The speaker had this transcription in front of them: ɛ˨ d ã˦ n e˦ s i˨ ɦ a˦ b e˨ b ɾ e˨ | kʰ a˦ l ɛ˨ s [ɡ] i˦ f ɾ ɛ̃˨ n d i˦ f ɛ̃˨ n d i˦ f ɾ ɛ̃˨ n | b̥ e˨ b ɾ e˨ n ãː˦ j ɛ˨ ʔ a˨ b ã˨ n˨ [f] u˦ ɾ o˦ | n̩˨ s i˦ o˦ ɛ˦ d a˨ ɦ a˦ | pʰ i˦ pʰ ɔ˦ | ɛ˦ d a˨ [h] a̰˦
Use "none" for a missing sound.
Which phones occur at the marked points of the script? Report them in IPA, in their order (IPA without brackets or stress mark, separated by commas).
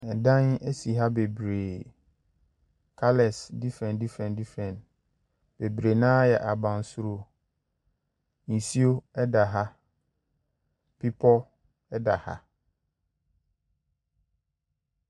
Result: d, s, h